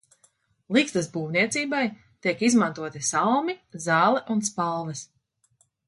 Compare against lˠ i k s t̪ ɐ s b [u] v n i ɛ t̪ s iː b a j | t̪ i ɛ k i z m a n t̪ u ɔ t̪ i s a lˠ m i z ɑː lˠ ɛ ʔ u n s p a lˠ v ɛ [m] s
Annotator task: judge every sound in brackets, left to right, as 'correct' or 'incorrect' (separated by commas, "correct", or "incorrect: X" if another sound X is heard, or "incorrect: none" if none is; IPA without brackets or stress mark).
incorrect: uː, incorrect: none